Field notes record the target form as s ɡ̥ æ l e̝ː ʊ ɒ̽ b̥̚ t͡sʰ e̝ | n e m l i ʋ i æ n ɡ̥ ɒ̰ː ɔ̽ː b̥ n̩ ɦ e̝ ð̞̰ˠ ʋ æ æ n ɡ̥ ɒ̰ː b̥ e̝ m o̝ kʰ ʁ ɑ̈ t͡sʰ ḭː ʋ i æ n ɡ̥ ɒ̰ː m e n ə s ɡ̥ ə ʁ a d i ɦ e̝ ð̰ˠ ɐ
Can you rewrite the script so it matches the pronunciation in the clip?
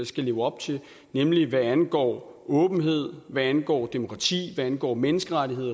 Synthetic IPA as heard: s ɡ̥ æ l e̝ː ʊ ɒ̽ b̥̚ t͡sʰ e̝ | n e m l i ʋ æ æ n ɡ̥ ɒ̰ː ɔ̽ː b̥ n̩ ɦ e̝ ð̞̰ˠ ʋ æ æ n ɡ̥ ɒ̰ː d̥ e̝ m o̝ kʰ ʁ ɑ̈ t͡sʰ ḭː ʋ æ æ n ɡ̥ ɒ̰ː m e n ə s ɡ̥ ə ʁ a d i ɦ e̝ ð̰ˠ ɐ